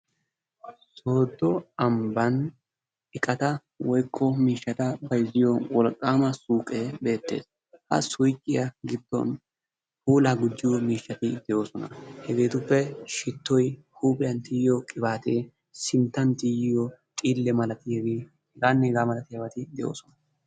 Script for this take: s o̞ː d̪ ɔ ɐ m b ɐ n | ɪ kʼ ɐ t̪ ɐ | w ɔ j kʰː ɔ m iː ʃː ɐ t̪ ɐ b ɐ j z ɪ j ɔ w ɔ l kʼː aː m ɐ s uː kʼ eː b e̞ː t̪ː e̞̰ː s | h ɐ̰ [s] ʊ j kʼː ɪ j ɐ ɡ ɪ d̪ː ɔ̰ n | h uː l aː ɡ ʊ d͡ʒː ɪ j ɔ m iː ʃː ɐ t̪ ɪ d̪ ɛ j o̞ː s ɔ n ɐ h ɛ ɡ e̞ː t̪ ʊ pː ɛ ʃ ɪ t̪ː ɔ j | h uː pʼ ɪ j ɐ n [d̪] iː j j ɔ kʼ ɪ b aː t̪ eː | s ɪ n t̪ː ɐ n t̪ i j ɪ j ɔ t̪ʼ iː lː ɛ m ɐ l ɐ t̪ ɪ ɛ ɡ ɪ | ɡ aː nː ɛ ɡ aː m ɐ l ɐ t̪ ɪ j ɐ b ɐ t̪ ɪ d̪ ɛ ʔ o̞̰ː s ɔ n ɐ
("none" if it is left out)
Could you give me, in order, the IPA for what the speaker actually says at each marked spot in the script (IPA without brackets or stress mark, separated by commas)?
s, t̪